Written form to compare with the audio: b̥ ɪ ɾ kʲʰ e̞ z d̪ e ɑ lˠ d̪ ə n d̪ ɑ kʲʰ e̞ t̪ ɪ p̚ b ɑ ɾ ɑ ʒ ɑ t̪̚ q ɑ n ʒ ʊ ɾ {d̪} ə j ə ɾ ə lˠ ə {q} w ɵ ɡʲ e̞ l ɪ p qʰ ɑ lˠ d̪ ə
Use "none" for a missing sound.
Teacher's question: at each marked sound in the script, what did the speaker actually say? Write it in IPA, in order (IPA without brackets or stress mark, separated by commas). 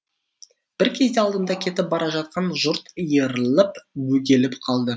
t̪, p